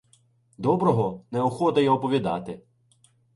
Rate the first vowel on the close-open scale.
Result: mid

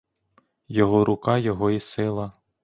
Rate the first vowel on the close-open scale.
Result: mid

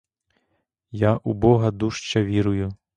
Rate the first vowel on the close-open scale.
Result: open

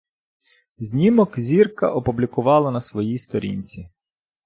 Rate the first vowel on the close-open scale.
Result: close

